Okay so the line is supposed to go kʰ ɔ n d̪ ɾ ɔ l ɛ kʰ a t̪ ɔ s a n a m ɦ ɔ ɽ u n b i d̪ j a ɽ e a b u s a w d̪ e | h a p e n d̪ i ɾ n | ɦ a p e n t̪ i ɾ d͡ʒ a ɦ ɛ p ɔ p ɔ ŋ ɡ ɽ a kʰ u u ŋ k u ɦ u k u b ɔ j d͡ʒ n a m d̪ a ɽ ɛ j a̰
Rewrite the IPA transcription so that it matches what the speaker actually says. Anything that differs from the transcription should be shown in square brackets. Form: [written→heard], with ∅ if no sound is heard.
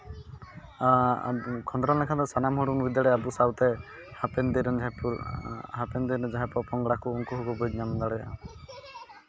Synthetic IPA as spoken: kʰ ɔ n d̪ ɾ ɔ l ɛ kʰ a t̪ ɔ s a n a m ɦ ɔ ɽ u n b i d̪ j a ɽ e a b u s a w [d̪→t̪] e | h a p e n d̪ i ɾ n | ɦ a p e n [t̪→d̪] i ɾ d͡ʒ a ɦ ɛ p ɔ p ɔ ŋ ɡ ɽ a [kʰ→k] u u ŋ k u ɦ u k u b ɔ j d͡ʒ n a m d̪ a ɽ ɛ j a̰